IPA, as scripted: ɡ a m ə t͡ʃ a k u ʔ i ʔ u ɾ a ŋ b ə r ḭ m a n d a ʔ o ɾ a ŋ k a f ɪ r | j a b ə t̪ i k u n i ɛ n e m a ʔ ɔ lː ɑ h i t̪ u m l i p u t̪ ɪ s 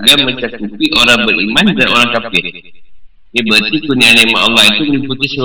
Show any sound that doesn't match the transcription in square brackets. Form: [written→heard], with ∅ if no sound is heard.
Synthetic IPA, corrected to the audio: ɡ a m ə t͡ʃ a k u [ʔ→p] i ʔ [u→o] ɾ a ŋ b ə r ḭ m a n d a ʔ o ɾ a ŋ k a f ɪ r | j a b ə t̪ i k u n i [ɛ→a] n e m a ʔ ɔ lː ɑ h i t̪ u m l i p u t̪ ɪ s